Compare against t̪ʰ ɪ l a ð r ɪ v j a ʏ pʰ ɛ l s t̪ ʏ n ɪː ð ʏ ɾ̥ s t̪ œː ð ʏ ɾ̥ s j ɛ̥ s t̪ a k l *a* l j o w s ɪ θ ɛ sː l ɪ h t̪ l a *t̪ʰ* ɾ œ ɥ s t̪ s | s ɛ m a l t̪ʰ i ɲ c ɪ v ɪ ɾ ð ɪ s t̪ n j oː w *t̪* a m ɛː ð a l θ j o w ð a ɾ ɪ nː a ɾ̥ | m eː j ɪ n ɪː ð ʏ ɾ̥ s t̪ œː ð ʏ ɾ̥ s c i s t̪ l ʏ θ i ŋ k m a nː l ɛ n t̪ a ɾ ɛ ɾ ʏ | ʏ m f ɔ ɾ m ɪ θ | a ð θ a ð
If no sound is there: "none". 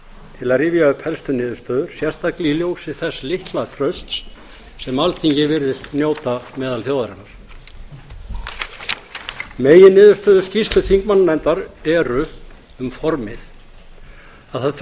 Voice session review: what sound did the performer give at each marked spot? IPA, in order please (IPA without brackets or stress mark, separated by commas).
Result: i, t̪ʰ, t̪